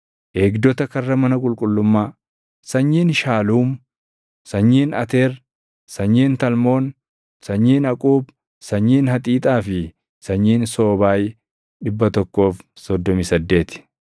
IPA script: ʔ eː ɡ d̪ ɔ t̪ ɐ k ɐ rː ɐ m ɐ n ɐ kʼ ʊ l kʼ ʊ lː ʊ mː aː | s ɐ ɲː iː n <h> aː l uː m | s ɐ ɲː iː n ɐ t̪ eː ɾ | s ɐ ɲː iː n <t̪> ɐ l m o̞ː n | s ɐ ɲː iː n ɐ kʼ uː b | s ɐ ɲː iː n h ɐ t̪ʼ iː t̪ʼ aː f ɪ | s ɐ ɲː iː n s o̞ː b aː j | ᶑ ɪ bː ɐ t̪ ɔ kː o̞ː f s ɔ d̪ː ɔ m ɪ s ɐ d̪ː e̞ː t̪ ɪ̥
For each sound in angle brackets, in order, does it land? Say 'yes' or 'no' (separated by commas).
no, yes